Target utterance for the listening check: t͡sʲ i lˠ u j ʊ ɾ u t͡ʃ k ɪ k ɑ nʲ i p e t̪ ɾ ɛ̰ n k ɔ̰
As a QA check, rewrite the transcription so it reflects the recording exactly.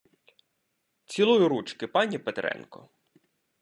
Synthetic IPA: t͡sʲ i lˠ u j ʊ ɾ u t͡ʃ k ɪ p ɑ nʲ i p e t̪ ɾ ɛ̰ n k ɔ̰

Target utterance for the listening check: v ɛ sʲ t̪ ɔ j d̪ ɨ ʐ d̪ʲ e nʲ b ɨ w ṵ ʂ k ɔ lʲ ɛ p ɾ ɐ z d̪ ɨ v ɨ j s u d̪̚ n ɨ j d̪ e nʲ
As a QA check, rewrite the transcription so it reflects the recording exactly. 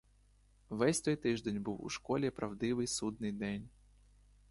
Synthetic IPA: v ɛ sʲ t̪ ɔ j t̪ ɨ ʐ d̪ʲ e nʲ b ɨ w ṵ ʂ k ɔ lʲ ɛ p ɾ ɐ v d̪ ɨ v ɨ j s u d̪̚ n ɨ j d̪ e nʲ

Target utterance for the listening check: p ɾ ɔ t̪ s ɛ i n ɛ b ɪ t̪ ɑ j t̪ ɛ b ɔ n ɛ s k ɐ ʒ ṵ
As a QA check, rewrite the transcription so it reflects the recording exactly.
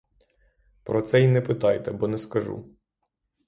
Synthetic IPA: p ɾ ɔ t̪ s ɛ i n ɛ p ɪ t̪ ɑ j t̪ ɛ b ɔ n ɛ s k ɐ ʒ ṵ

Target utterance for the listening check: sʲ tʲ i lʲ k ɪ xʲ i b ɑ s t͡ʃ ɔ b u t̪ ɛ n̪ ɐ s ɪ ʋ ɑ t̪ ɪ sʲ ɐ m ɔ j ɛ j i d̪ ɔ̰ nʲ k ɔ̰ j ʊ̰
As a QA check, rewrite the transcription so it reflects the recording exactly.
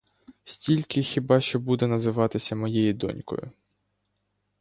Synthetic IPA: sʲ tʲ i lʲ k ɪ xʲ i b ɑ ʃ t͡ʃ ɔ b u d̪ ɛ n̪ ɐ z ɪ ʋ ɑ t̪ ɪ sʲ ɐ m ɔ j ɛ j i d̪ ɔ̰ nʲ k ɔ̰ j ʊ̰

